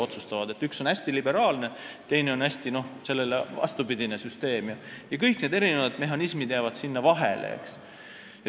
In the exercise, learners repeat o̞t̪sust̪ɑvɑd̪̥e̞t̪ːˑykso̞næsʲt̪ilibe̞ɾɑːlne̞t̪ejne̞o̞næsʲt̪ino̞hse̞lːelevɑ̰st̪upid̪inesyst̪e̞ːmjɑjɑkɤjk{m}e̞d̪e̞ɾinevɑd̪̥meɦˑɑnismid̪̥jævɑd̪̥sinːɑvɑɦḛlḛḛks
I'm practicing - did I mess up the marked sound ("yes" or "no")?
yes